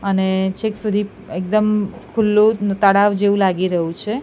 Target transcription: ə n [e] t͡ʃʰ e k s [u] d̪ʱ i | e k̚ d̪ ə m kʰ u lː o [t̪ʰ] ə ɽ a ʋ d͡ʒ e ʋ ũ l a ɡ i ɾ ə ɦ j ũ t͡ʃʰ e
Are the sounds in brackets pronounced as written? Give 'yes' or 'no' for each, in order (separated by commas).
yes, yes, no